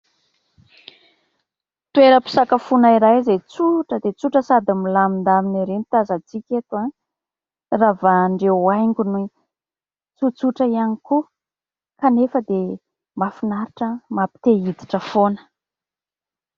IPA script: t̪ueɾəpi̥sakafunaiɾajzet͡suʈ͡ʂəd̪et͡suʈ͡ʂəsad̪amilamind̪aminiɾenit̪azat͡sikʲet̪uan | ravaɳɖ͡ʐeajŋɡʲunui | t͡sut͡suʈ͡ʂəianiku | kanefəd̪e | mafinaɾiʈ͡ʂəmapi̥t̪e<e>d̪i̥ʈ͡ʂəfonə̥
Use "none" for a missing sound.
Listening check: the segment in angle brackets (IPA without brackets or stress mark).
i